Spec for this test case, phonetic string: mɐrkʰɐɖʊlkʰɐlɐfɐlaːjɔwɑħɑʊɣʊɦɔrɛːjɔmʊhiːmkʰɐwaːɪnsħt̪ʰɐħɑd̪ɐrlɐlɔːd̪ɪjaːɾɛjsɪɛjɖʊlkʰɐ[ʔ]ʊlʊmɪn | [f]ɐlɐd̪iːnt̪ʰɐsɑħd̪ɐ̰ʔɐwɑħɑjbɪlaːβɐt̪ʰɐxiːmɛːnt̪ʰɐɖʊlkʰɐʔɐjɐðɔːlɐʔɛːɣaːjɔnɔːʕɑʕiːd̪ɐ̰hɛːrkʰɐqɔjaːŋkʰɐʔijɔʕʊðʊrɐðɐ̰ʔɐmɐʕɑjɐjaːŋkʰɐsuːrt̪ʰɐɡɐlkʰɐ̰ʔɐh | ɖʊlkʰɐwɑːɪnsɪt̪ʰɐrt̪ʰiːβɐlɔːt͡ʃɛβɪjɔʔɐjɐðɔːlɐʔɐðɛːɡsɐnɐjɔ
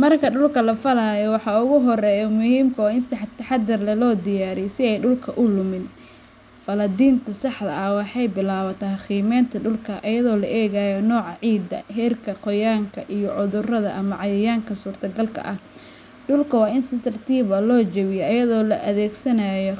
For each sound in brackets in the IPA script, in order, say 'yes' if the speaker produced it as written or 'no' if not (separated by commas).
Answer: yes, yes